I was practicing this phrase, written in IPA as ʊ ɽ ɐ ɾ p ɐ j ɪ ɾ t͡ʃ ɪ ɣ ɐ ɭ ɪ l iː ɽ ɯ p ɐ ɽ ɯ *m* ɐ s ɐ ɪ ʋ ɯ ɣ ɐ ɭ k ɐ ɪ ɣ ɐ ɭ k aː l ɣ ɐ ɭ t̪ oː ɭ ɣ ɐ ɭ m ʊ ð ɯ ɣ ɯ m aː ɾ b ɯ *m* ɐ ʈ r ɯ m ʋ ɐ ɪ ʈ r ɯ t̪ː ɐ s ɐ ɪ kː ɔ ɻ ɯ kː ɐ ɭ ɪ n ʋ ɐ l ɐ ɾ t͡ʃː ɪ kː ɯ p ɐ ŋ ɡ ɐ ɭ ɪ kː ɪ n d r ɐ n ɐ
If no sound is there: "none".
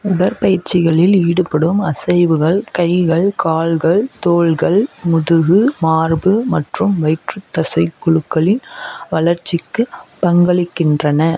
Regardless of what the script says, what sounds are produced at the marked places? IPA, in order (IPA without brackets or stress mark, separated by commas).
m, m